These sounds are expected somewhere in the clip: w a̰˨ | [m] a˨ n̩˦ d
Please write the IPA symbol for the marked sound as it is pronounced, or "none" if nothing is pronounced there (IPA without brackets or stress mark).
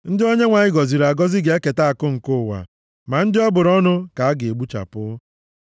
m